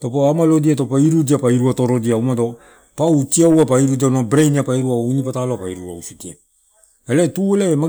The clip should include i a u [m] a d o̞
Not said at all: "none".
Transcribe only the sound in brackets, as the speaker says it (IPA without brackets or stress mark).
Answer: m